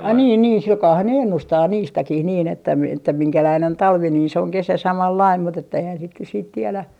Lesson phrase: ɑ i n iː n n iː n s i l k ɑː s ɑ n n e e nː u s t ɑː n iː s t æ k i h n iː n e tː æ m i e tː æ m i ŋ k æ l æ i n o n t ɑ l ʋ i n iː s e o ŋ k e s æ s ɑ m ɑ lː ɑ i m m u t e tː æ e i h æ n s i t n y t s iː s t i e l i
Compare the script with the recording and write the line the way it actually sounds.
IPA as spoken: ɑ i n iː n n iː n s i l k ɑː h ɑ n n e e nː u s t ɑː n iː s t æ k i h n iː n e tː æ m i e tː æ m i ŋ k æ l æ i n o n t ɑ l ʋ i n iː s e o ŋ k e s æ s ɑ m ɑ lː ɑ i m m u t e tː æ e i h æ n s i t n y t s iː t t i e l æ